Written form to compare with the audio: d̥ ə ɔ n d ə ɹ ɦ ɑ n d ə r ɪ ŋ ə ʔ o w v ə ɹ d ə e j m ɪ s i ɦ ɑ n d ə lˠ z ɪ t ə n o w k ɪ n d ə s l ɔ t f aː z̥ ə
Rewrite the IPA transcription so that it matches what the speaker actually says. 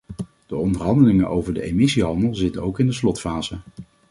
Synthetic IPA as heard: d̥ ə ɔ n d ə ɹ ɦ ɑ n d ə l ɪ ŋ ə ʔ o w v ə ɹ d ə e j m ɪ s i ɦ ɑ n d ə lˠ z ɪ t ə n o w k ɪ n d ə s l ɔ t f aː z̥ ə